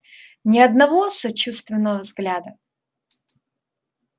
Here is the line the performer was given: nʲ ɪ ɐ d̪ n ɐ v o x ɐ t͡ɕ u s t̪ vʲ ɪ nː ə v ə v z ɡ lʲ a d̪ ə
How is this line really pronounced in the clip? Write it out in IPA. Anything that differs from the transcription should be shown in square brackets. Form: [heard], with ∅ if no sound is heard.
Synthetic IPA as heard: nʲ ɪ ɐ d̪ n ɐ v o [s] ɐ t͡ɕ u s t̪ vʲ ɪ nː ə v ə v z ɡ lʲ a d̪ ə